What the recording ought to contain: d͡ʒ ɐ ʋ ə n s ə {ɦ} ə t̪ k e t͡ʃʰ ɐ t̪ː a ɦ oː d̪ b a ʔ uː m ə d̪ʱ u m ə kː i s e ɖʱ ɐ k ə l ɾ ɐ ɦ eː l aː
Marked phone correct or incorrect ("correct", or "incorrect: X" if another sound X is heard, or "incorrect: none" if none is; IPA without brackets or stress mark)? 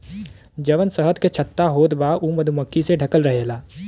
correct